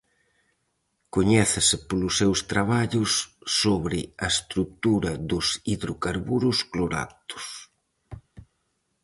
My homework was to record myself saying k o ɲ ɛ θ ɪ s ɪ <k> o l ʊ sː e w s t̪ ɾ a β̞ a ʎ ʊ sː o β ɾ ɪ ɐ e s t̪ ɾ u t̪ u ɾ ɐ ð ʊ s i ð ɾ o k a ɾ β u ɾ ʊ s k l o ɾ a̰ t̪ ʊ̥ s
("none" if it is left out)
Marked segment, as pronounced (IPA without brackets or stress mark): p